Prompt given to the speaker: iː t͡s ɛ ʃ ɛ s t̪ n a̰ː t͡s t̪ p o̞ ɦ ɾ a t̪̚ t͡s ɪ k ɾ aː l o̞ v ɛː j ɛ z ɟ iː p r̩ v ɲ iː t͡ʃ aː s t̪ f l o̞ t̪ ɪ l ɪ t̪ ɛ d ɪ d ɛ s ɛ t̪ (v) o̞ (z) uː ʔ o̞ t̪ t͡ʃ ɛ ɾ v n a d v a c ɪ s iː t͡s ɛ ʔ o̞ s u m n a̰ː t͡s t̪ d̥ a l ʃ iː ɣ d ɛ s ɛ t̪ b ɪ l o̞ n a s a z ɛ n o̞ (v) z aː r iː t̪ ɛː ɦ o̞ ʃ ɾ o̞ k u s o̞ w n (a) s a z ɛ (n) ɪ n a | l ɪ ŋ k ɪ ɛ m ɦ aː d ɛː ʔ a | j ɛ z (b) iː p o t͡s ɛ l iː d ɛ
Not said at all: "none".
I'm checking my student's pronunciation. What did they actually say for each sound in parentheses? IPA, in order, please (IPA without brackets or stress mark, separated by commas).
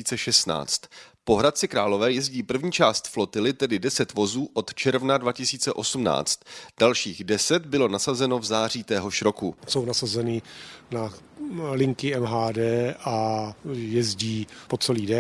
v, z, v, a, n, ɟ